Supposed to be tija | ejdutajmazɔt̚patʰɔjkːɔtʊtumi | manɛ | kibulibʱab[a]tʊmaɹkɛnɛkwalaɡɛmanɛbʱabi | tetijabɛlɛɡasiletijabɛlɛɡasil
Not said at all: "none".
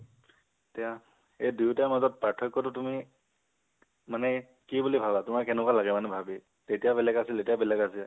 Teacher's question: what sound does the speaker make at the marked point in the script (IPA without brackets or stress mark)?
a